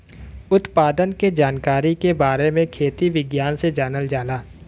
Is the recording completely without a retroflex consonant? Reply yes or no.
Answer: yes